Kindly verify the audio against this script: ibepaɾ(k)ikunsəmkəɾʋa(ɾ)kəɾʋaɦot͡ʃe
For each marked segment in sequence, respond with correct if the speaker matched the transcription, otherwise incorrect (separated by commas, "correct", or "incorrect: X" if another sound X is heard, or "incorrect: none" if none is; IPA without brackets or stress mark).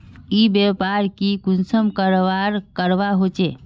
correct, correct